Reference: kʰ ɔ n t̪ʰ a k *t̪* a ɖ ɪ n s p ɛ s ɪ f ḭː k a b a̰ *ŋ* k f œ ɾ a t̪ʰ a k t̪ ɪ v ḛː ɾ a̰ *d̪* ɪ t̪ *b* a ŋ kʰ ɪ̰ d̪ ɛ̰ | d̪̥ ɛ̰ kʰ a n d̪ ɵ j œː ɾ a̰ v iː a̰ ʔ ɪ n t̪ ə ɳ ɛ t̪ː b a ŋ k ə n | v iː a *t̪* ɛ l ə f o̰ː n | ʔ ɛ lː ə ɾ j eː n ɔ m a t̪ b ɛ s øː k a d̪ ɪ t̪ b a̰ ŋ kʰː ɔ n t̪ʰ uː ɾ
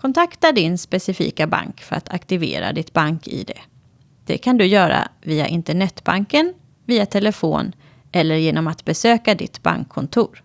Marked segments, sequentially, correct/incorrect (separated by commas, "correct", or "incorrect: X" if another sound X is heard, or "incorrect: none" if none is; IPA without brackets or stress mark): correct, correct, correct, correct, incorrect: t̪ʰ